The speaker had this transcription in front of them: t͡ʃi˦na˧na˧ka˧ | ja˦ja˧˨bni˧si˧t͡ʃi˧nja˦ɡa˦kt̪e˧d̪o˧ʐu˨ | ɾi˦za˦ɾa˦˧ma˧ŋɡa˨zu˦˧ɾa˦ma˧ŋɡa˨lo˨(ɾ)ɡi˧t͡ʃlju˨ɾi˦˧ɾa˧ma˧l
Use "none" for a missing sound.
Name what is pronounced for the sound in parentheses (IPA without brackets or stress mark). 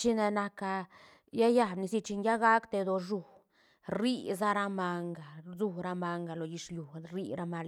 none